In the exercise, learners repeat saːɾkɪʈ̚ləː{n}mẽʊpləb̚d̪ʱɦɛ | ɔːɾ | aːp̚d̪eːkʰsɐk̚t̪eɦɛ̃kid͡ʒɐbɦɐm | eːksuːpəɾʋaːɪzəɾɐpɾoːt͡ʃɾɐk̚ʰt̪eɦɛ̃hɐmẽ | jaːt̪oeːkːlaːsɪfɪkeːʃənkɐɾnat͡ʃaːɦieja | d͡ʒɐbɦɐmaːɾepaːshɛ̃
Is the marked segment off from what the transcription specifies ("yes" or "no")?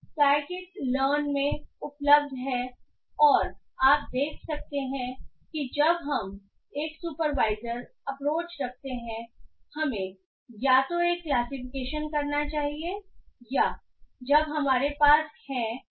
no